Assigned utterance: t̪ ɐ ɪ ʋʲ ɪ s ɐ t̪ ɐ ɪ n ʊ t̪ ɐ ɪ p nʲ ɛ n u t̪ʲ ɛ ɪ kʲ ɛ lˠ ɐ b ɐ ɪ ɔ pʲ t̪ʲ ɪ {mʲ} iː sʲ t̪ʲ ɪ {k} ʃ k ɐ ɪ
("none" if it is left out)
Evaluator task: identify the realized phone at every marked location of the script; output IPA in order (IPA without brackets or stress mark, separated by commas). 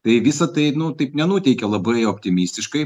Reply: mʲ, none